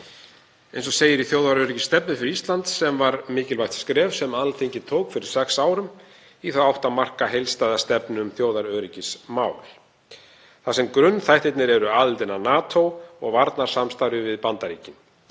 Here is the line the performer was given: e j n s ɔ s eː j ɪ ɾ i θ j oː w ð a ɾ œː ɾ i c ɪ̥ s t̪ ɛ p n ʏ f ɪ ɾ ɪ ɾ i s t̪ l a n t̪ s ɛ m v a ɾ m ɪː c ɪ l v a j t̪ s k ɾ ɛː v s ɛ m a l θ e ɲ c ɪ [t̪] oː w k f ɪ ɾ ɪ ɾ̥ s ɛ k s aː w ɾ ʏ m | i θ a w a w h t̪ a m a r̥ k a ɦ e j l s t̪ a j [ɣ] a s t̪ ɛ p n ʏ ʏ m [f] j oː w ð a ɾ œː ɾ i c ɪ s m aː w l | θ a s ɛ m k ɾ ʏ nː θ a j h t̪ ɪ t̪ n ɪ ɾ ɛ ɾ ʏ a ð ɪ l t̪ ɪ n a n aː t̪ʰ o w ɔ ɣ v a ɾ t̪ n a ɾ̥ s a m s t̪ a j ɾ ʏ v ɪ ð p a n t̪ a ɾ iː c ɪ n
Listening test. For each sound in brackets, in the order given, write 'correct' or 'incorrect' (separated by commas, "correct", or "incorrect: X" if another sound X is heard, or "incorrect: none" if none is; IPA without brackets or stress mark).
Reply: incorrect: t̪ʰ, incorrect: ð, incorrect: θ